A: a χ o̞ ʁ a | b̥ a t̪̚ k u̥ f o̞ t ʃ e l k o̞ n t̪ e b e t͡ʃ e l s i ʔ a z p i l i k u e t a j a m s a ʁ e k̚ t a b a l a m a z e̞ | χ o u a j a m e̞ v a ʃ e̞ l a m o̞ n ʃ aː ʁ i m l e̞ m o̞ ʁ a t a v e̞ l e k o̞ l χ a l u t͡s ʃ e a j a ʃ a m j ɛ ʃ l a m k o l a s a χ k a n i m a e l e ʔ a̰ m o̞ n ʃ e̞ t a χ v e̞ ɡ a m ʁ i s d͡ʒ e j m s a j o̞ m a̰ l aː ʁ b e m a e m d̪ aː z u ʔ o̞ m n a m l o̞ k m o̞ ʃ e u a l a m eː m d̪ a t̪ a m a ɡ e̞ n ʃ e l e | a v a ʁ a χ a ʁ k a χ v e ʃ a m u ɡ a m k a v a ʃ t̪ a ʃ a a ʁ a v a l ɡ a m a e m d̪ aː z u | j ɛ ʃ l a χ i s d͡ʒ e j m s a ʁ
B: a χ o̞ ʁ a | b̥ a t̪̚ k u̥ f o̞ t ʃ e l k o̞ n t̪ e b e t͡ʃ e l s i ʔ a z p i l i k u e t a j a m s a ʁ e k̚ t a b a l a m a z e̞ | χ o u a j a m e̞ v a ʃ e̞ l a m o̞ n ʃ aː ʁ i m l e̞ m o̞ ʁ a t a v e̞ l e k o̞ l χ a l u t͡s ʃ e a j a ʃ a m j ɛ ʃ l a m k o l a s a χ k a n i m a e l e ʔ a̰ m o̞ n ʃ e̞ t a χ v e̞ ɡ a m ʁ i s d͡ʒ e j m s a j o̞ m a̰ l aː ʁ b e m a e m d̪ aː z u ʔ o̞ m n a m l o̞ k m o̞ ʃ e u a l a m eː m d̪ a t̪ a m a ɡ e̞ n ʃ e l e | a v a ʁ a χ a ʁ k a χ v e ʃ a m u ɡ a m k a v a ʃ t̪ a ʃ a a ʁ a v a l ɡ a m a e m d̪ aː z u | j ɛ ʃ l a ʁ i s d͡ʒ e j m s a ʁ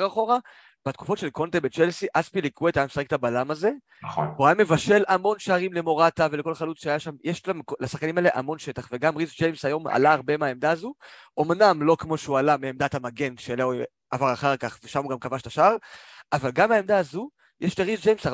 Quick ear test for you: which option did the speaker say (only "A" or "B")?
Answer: B